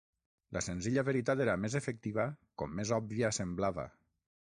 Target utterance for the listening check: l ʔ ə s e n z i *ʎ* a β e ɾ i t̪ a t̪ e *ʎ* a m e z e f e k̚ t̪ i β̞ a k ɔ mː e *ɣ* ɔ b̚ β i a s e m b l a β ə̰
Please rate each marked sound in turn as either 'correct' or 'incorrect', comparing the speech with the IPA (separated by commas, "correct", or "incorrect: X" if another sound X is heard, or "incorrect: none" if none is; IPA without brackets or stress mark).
correct, incorrect: ɾ, incorrect: z